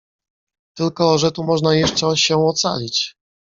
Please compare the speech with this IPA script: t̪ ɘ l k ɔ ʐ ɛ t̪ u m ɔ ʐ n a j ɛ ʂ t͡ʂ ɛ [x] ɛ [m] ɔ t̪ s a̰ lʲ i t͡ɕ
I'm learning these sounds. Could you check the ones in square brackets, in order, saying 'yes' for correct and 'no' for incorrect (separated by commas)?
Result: no, no